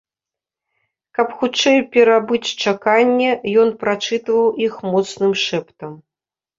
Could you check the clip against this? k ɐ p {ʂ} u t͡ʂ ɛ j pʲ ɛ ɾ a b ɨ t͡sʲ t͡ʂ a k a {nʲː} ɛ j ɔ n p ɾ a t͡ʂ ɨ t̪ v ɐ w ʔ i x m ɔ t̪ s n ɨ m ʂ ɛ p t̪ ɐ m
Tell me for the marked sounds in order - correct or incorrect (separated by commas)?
incorrect, correct